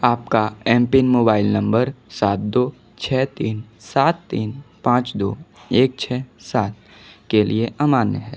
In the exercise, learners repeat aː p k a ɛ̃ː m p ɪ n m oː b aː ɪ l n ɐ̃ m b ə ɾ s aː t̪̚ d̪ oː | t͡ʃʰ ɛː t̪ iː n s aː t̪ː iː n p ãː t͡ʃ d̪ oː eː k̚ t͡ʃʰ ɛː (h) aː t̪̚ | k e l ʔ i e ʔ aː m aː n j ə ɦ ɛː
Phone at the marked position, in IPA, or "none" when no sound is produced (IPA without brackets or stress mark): s